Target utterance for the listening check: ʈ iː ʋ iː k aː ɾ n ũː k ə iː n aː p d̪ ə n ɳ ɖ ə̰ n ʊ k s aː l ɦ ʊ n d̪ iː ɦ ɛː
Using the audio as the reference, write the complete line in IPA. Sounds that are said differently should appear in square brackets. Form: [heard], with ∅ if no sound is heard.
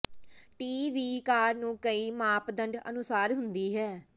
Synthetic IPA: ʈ iː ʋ iː k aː ɾ n ũː k ə iː [m] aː p d̪ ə [∅] ɳ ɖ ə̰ n ʊ [∅] s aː [ɾ] ɦ ʊ n d̪ iː ɦ ɛː